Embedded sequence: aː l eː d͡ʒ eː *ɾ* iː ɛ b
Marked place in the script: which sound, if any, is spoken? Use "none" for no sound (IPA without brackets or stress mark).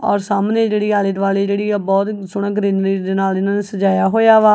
ɽ